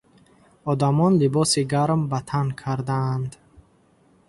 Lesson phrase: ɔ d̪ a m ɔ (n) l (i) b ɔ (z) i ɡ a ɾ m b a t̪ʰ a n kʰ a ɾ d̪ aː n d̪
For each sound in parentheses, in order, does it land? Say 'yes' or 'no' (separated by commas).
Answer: yes, yes, no